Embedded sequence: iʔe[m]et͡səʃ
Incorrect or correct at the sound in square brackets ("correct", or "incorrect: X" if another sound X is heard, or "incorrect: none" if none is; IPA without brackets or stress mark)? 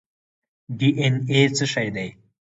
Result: incorrect: n